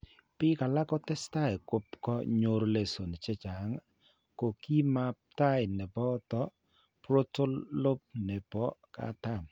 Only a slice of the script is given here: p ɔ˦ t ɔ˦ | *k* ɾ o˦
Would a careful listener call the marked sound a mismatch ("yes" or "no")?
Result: yes